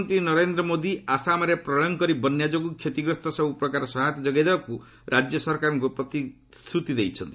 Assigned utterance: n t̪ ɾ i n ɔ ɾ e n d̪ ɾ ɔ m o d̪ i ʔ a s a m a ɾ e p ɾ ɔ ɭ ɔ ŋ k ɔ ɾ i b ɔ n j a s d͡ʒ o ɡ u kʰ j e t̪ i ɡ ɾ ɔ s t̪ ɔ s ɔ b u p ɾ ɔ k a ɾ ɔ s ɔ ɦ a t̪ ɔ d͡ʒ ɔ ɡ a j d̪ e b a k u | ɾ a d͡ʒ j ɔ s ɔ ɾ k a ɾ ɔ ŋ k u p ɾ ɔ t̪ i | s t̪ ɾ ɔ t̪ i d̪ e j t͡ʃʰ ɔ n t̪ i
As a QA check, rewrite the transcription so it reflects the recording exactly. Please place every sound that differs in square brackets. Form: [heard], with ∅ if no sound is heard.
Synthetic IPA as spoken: n t̪ ɾ i n ɔ ɾ e n d̪ ɾ ɔ m o d̪ i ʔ a s a m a ɾ e p ɾ ɔ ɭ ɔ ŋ k ɔ ɾ i b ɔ n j a [∅] d͡ʒ o ɡ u kʰ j e t̪ i ɡ ɾ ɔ s t̪ ɔ s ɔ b u p ɾ ɔ k a ɾ ɔ s ɔ ɦ a t̪ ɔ d͡ʒ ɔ ɡ a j d̪ e b a k u | ɾ a d͡ʒ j ɔ s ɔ ɾ k a ɾ ɔ ŋ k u p ɾ ɔ t̪ i | s t̪ ɾ [u] t̪ i d̪ e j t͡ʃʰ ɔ n t̪ i